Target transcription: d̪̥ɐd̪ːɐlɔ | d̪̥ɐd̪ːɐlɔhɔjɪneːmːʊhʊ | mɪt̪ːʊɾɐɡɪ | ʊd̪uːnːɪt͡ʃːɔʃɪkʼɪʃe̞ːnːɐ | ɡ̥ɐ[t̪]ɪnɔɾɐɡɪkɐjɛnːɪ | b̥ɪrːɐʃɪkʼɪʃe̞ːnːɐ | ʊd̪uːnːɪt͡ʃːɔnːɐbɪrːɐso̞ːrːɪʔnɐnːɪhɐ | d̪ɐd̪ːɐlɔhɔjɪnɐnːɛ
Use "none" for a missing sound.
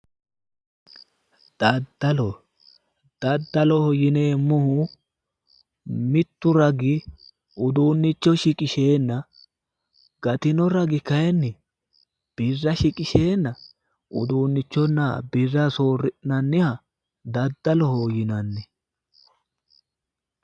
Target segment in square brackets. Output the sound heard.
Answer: t̪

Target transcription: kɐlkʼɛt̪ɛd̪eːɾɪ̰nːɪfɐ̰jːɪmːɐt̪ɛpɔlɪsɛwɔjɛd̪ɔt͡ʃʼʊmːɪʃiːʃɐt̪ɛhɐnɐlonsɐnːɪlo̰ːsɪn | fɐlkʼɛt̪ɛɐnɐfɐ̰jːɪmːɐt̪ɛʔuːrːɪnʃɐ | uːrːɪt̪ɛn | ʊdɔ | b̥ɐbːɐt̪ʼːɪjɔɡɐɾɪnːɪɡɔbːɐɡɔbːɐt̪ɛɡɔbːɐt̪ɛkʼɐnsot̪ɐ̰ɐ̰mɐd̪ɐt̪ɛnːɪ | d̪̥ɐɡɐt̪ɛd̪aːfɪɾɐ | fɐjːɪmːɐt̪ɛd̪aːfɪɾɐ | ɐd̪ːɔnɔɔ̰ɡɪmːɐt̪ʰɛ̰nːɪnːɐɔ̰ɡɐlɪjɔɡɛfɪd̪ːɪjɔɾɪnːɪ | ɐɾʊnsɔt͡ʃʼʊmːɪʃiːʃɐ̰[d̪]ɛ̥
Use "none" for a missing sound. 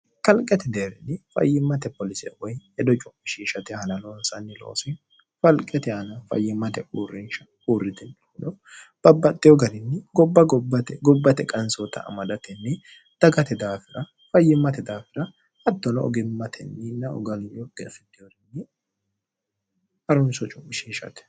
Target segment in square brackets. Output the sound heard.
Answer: t̪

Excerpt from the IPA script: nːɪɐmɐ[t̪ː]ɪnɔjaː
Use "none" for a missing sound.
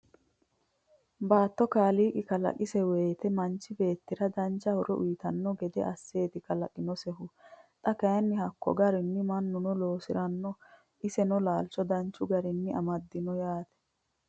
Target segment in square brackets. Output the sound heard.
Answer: d̪ː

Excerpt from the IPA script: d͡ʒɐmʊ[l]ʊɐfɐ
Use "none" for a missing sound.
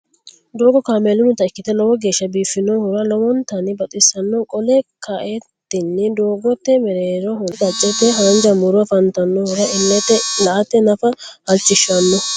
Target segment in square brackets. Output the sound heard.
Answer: ɾ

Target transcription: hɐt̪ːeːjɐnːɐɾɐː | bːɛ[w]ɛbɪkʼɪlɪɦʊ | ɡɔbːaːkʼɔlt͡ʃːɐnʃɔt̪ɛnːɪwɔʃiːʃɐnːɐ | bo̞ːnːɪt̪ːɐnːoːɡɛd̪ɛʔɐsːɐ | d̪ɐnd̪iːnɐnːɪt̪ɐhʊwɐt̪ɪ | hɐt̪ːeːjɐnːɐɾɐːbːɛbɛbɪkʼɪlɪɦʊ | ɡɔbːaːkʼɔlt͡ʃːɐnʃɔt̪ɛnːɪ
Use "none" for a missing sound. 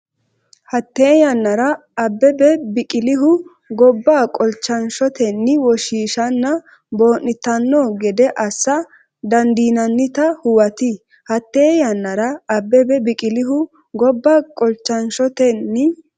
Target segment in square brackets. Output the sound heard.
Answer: b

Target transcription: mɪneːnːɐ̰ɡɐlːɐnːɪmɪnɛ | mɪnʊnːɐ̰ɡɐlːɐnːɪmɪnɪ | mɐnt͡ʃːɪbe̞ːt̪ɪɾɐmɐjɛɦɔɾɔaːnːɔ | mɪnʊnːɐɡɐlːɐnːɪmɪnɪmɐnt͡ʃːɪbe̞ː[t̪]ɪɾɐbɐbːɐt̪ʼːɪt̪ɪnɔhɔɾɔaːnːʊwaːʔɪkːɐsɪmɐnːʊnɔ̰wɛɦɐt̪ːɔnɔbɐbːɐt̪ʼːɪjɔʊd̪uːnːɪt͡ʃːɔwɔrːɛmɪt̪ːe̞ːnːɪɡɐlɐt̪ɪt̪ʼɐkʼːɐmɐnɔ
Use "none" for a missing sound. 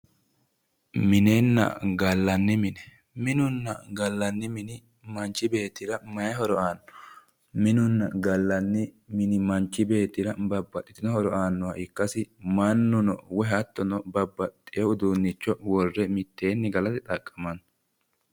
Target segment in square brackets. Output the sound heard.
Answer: t̪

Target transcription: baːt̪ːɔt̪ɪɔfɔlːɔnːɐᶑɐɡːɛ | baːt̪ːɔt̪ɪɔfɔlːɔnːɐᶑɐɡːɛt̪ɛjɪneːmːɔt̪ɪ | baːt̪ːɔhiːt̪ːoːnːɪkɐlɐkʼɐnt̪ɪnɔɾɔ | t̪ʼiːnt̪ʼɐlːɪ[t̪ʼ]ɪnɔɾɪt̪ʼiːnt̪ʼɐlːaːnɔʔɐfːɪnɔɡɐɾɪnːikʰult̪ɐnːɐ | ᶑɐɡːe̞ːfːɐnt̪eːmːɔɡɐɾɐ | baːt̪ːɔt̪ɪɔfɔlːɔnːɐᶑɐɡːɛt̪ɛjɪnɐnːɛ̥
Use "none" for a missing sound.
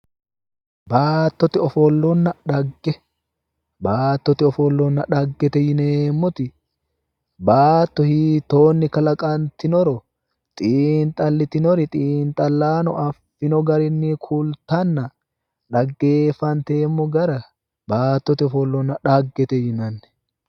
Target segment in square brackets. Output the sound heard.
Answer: t̪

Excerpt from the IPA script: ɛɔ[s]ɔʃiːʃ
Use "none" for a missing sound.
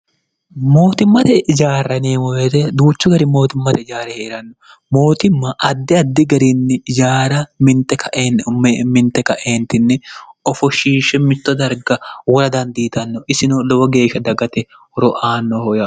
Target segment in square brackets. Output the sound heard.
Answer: f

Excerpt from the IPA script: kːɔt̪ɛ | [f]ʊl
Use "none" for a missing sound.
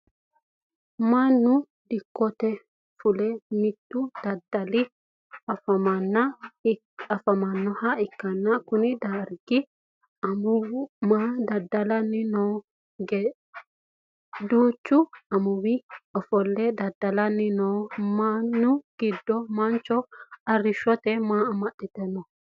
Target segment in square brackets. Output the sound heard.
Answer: f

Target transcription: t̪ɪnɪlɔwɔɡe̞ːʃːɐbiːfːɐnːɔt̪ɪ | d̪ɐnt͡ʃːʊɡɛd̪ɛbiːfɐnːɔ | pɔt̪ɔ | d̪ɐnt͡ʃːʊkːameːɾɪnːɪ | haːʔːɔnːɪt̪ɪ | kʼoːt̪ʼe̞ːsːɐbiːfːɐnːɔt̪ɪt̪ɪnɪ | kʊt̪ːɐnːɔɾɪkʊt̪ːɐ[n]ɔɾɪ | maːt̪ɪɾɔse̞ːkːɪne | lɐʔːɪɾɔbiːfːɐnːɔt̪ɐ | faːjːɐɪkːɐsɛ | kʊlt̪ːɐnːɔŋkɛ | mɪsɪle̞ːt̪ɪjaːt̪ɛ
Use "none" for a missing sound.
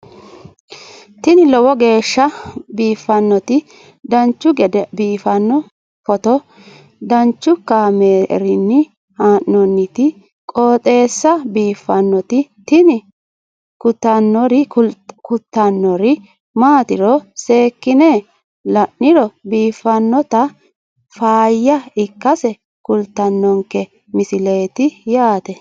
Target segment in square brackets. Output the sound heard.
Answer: nː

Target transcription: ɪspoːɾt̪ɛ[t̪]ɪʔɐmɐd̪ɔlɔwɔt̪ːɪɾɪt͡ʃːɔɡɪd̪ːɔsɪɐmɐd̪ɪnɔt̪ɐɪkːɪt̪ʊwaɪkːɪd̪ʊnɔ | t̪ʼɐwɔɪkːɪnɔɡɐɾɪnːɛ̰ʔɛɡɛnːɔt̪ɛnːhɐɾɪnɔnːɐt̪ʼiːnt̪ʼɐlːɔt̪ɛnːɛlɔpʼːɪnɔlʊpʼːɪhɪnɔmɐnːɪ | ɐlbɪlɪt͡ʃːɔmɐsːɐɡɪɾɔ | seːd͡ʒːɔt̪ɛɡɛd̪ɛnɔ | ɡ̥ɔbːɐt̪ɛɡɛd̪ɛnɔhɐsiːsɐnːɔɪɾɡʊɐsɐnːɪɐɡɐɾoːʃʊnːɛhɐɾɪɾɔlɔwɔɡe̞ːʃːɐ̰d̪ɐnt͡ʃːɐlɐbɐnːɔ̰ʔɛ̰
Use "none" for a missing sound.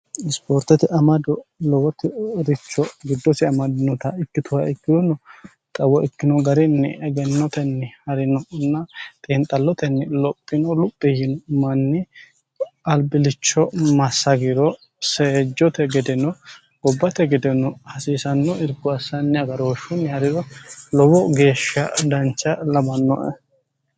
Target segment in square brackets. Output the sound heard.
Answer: t̪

